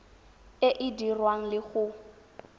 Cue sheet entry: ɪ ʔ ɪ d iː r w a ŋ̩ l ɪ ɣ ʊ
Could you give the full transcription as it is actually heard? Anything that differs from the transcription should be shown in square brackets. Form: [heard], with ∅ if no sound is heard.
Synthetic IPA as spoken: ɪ ʔ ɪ d [i] r w a ŋ̩ l ɪ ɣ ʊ